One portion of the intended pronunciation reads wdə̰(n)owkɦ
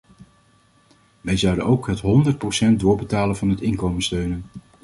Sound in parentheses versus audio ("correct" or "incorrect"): correct